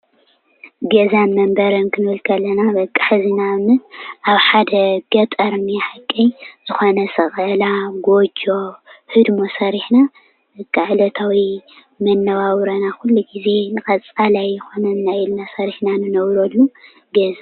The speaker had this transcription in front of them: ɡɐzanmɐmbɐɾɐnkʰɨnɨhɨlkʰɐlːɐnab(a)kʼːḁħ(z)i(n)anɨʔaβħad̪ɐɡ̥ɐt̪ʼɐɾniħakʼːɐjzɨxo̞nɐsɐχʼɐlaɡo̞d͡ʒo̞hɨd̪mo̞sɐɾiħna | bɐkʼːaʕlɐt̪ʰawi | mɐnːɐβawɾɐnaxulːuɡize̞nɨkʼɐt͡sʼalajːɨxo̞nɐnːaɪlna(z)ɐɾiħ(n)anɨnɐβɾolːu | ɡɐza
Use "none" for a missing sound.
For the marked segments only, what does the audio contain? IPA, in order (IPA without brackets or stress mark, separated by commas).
ɐ, z, n, s, n